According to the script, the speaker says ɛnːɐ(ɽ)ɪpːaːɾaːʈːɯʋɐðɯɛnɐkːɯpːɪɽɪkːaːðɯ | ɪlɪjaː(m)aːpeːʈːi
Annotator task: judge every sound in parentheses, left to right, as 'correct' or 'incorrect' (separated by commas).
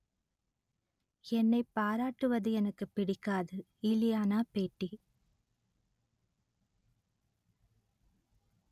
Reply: incorrect, incorrect